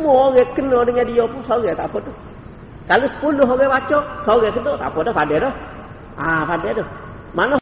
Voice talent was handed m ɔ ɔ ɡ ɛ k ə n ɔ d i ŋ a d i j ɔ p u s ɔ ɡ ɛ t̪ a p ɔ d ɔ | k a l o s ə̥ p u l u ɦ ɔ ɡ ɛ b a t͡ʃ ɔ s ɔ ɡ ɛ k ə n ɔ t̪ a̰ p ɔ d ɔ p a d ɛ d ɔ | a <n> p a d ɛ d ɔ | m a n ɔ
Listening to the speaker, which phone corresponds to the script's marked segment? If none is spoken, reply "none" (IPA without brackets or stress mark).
none